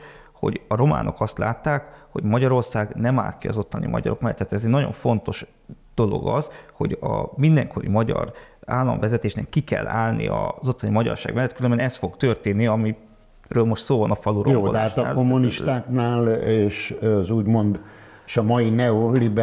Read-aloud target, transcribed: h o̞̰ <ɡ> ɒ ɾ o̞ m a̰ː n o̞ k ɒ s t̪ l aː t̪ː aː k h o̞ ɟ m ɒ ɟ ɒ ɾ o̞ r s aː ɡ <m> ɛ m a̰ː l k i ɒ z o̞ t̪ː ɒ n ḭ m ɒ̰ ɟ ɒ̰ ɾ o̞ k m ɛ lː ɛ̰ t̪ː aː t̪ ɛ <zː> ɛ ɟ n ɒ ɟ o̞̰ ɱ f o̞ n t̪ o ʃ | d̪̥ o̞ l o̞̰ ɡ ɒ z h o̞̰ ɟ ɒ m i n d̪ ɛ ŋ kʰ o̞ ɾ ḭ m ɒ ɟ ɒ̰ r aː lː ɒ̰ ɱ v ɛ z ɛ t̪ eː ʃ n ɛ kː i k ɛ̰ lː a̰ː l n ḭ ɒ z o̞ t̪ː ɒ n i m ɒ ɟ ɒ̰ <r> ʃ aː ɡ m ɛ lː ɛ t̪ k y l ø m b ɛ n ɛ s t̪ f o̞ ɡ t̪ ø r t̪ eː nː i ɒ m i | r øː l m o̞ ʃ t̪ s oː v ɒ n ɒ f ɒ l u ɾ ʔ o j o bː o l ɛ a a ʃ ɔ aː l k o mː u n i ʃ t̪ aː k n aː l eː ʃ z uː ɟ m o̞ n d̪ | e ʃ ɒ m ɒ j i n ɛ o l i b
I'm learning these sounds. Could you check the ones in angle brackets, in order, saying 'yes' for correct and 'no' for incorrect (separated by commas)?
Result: no, no, no, yes